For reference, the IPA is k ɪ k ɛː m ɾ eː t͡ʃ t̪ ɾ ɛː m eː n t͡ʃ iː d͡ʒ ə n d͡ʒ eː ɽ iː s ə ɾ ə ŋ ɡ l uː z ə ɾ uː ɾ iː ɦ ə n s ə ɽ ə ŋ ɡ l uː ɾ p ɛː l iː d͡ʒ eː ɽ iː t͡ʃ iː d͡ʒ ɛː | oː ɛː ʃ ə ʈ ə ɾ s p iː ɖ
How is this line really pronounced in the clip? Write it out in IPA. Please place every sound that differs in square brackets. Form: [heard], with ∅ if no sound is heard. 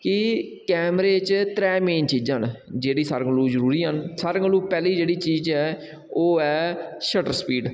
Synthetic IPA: k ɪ k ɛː m ɾ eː t͡ʃ t̪ ɾ ɛː m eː n t͡ʃ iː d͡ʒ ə n d͡ʒ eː ɽ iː s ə ɾ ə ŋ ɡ l uː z ə ɾ uː ɾ iː ɦ ə n s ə [ɾ] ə ŋ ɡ l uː [∅] p ɛː l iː d͡ʒ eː ɽ iː t͡ʃ iː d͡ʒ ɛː | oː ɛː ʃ ə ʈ ə ɾ s p iː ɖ